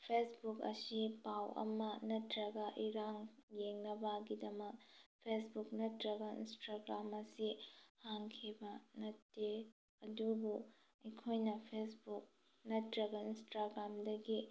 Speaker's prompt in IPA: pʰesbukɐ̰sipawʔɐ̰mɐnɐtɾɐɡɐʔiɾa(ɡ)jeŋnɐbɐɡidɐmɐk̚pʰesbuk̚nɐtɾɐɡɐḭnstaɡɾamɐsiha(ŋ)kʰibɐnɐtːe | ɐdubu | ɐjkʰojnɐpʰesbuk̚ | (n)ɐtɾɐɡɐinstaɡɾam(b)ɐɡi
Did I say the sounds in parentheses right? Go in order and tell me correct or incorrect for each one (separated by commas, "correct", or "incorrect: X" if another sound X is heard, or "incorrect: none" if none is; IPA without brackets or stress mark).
incorrect: ŋ, correct, correct, incorrect: d